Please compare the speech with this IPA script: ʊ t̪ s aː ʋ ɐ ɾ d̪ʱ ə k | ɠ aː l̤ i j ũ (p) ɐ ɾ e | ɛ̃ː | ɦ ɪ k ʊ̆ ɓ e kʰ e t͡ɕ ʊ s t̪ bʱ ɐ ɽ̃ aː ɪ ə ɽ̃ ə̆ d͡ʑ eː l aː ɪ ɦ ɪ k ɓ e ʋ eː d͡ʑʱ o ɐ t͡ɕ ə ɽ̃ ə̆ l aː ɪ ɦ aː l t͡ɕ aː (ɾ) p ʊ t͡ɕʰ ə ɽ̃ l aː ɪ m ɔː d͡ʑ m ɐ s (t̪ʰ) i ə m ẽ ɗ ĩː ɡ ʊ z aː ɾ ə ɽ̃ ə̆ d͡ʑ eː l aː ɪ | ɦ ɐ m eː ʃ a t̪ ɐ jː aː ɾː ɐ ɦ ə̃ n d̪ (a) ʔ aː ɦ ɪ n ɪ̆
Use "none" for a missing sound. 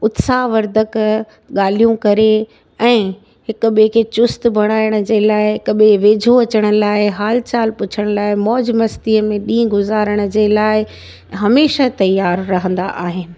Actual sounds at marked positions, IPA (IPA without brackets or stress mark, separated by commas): k, l, t̪, a